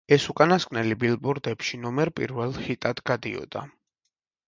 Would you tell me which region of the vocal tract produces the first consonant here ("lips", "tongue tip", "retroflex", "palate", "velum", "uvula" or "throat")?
tongue tip